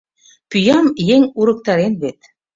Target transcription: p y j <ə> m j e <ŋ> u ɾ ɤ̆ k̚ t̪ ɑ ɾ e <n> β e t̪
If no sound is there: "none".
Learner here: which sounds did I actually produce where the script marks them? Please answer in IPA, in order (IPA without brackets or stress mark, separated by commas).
ɑ, ŋ, n